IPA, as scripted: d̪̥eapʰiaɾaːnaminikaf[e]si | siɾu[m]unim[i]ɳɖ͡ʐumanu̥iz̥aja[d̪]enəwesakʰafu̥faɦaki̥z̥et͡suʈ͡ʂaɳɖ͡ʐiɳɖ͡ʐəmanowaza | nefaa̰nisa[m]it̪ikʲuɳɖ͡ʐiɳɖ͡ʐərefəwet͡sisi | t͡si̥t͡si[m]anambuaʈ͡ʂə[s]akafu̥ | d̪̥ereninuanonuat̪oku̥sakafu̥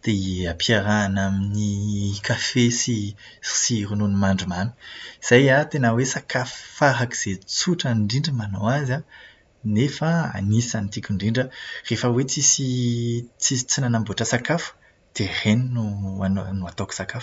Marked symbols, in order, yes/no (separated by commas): yes, no, no, no, no, no, yes